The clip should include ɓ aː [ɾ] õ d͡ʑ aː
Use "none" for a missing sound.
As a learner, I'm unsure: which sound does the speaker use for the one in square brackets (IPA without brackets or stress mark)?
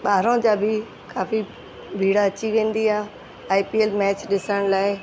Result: ɾ